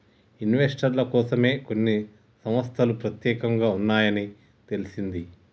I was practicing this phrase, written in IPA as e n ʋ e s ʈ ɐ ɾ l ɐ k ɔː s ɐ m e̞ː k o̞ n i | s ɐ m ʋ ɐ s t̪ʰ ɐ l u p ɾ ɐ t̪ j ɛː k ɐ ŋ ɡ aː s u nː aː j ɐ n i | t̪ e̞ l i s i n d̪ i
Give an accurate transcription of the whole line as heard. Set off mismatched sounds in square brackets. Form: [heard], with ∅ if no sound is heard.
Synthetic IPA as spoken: [i] n ʋ e s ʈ ɐ ɾ l ɐ k ɔː s ɐ m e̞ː k o̞ [nː] i | s ɐ m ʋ ɐ s t̪ʰ ɐ l u p ɾ ɐ t̪ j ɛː k ɐ ŋ ɡ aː [∅] u nː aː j ɐ n i | t̪ e̞ l i s i n d̪ i